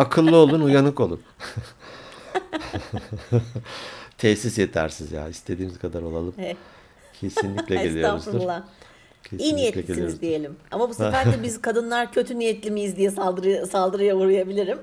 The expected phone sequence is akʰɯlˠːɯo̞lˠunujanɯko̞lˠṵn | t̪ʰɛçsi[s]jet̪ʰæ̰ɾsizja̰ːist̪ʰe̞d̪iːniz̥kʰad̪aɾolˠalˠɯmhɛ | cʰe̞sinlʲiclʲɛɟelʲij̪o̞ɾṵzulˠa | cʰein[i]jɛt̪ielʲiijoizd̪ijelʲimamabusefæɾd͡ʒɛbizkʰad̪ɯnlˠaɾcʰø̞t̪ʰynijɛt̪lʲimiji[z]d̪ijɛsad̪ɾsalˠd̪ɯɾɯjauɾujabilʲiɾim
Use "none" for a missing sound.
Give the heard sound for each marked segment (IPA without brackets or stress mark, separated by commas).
s, i, z